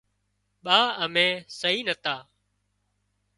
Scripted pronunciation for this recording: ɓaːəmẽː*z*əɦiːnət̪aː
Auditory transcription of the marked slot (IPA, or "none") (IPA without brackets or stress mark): s